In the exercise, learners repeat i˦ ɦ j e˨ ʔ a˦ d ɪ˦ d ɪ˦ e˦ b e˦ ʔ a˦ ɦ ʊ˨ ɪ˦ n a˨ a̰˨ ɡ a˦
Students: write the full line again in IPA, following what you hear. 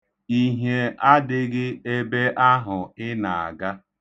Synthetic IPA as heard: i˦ ɦ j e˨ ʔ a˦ d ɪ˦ ɡ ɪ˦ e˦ b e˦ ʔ a˦ ɦ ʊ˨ ɪ˦ n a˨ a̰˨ ɡ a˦